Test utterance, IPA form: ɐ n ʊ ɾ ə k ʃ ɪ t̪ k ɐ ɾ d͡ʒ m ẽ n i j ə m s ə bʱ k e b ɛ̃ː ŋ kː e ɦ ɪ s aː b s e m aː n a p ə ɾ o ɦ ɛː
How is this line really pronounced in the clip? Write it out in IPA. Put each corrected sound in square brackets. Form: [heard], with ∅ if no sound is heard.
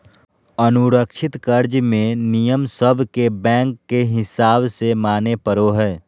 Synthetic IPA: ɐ n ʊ ɾ ə k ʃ ɪ t̪ k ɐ ɾ d͡ʒ m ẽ n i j ə m s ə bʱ k e b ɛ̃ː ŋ kː e ɦ ɪ s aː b s e m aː n [e] p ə ɾ o ɦ ɛː